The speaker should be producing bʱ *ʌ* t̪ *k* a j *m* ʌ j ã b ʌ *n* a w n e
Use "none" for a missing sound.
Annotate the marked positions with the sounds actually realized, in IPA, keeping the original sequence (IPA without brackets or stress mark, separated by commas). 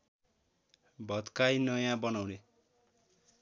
ʌ, k, n, n